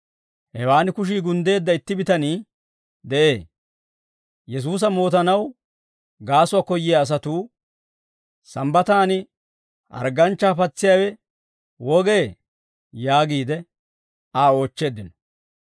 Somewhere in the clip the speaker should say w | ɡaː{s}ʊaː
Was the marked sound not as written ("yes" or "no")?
no